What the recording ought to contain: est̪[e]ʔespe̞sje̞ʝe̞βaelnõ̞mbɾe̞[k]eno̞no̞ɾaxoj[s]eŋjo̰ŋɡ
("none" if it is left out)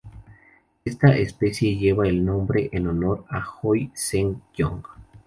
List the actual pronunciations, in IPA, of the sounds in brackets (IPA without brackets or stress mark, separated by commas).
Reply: a, ʔ, s